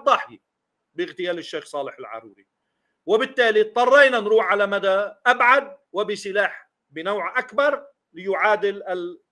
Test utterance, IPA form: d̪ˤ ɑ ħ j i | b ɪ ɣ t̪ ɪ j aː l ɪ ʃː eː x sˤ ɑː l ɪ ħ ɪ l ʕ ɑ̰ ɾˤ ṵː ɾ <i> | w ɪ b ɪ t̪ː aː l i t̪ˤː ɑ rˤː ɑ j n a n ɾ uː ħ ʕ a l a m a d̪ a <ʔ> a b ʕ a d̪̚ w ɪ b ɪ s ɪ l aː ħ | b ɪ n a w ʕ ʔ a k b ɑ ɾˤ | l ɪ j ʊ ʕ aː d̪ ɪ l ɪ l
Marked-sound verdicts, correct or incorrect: correct, correct

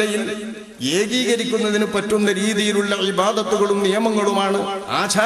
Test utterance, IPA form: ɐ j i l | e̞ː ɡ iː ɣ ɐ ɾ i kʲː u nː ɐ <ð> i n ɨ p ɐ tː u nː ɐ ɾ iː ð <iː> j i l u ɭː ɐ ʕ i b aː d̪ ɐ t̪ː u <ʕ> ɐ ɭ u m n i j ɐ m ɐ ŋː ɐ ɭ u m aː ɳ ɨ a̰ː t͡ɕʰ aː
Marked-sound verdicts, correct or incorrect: correct, incorrect, incorrect

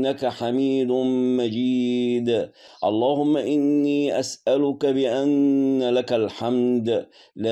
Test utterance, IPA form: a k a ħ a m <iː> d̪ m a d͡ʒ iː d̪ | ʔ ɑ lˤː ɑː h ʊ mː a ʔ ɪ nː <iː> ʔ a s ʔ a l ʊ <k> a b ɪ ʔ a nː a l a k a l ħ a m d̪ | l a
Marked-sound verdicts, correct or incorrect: correct, correct, correct

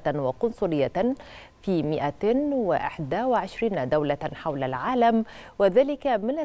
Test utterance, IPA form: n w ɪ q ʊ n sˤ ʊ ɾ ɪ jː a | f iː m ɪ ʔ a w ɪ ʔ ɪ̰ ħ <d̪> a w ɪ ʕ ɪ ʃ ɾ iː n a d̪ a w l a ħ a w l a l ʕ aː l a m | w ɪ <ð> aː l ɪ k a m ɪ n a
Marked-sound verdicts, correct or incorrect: correct, correct

